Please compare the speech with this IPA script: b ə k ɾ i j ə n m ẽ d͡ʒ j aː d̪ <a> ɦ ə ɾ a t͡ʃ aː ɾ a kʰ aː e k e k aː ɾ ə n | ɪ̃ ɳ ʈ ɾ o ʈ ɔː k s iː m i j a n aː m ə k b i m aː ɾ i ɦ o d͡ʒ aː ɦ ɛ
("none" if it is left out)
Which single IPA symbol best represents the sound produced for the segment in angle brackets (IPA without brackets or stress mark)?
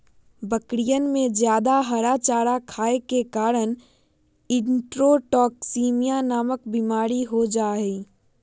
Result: a